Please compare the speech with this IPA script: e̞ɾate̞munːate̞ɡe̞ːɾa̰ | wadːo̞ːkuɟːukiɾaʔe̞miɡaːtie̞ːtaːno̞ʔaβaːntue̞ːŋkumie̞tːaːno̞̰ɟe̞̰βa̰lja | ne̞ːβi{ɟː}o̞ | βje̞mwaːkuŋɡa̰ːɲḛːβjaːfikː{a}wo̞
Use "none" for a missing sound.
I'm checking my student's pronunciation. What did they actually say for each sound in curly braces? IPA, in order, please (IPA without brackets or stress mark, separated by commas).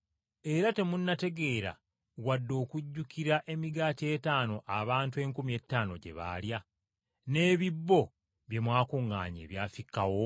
bː, a